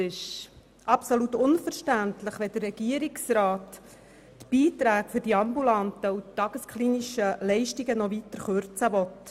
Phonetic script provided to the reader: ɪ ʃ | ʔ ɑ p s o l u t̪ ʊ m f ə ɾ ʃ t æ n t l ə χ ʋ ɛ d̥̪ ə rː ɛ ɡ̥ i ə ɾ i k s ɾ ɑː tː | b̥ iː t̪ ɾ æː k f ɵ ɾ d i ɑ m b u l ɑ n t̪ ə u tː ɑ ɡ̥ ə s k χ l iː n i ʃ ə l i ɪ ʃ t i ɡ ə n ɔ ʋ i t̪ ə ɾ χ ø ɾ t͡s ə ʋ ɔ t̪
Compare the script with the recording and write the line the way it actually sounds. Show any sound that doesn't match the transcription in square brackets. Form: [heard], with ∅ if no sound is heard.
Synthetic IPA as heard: ɪ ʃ | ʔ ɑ p s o l u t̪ ʊ [n] f ə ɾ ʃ t æ n t l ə χ ʋ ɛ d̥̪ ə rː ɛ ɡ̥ i ə ɾ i k s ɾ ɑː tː | b̥ iː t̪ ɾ æː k f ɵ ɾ d i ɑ m b u l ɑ n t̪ ə u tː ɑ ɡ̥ ə s k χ l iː n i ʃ ə l [ɛ] ɪ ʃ t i ɡ ə n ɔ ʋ i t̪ ə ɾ χ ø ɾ t͡s ə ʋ ɔ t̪

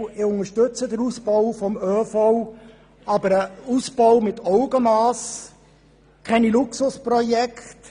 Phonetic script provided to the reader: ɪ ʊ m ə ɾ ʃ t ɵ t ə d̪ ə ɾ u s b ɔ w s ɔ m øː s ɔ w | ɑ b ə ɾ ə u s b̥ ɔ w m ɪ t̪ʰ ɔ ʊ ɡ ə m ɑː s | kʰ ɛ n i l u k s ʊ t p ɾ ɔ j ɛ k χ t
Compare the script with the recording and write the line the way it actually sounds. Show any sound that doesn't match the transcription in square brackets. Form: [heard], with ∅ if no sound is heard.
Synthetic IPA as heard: ɪ ʊ [ŋ] ə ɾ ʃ t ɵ [t͡s] ə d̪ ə ɾ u s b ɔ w [f] ɔ m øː [f] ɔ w | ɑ b ə ɾ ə u s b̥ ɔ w m ɪ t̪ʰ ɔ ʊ ɡ ə m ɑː s | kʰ ɛ n i l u k s ʊ [s] p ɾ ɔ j ɛ k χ t

